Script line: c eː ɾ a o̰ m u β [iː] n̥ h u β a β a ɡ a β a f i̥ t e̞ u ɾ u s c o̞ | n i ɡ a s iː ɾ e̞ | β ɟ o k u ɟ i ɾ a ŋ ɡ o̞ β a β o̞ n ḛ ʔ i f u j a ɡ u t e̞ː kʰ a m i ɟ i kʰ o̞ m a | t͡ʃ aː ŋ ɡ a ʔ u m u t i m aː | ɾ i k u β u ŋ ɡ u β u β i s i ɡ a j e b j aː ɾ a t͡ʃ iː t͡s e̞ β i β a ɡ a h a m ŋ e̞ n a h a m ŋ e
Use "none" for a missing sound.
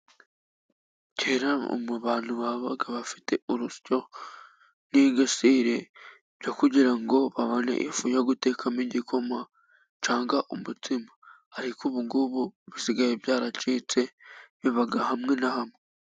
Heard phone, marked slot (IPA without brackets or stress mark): aː